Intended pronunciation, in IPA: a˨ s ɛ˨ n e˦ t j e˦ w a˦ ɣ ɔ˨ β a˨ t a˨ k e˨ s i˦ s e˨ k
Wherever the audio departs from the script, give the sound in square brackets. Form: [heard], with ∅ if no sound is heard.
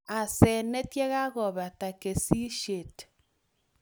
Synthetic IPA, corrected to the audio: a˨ s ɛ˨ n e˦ t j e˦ [ɣ] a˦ ɣ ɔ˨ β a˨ t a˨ k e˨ s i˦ [ʃ] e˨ [t]